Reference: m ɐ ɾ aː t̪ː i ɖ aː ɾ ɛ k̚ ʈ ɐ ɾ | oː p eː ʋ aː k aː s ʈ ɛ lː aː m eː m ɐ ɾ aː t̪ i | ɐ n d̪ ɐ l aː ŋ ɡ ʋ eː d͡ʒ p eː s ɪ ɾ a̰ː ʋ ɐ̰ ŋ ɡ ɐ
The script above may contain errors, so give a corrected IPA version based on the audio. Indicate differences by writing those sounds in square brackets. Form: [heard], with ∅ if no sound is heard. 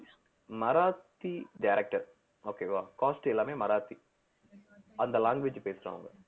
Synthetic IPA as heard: m ɐ ɾ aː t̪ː i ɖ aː ɾ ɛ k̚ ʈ ɐ ɾ | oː [k] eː ʋ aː k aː s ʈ ɛ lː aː m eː m ɐ ɾ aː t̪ i | ɐ n d̪ ɐ l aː ŋ ɡ ʋ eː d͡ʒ p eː s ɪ ɾ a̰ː ʋ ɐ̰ ŋ ɡ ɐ